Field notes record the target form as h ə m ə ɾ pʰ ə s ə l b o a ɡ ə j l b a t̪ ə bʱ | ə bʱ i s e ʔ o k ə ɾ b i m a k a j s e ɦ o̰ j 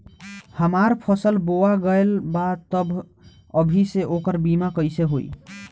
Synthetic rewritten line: h ə m a ɾ pʰ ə s ə l b o a ɡ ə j l b a t̪ ə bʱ | ə bʱ i s e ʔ o k ə ɾ b i m a k ə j s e ɦ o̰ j